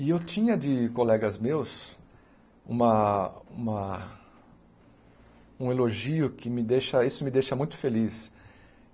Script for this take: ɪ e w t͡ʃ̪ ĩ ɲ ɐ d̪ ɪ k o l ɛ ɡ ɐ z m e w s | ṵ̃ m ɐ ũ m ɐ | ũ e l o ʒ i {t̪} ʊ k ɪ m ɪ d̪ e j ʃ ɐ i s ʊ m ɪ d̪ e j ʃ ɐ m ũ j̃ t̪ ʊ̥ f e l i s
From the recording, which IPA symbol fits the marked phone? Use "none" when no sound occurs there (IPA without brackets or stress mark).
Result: none